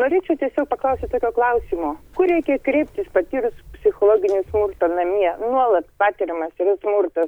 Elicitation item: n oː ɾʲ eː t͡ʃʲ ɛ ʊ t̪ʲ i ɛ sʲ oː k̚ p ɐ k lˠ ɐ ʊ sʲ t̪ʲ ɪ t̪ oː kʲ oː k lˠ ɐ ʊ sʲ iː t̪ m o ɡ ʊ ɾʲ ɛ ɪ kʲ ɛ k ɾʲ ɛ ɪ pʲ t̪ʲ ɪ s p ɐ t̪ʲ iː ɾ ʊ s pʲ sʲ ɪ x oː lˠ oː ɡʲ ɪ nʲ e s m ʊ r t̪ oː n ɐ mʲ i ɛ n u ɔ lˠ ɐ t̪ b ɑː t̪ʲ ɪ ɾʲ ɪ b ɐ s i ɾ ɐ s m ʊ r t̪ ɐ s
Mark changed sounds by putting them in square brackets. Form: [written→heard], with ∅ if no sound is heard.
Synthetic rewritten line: n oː ɾʲ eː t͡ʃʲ ɛ ʊ t̪ʲ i ɛ sʲ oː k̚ p ɐ k lˠ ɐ ʊ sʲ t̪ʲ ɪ t̪ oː kʲ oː k lˠ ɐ ʊ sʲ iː [t̪→∅] m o [ɡ→k] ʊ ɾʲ ɛ ɪ kʲ ɛ k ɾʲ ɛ ɪ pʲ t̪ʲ ɪ s p ɐ t̪ʲ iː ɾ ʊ s pʲ sʲ ɪ x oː lˠ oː ɡʲ ɪ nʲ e s m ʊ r t̪ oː n ɐ mʲ i ɛ n u ɔ lˠ ɐ t̪ [b→p] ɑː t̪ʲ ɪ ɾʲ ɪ [b→m] ɐ s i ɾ ɐ s m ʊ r t̪ ɐ s